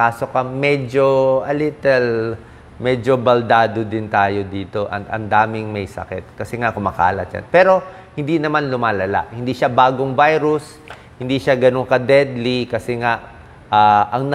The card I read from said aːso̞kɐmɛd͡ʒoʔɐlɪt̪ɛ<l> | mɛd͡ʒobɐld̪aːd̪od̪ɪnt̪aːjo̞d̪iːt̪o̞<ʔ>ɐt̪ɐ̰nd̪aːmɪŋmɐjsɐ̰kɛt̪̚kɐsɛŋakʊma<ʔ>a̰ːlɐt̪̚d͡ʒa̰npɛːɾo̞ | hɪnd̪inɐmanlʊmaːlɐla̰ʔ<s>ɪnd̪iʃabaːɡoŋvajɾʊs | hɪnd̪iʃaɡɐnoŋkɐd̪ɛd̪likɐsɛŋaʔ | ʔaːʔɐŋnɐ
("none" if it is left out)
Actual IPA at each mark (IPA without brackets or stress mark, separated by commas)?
l, ʔ, k, h